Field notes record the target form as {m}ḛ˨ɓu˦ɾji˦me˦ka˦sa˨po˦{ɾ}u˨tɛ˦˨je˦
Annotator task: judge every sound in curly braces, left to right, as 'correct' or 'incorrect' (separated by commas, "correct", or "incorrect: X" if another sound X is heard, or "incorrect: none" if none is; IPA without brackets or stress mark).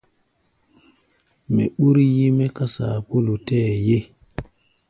correct, incorrect: l